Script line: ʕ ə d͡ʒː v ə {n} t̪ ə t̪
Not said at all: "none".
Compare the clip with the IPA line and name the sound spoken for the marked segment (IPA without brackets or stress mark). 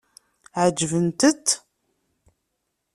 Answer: n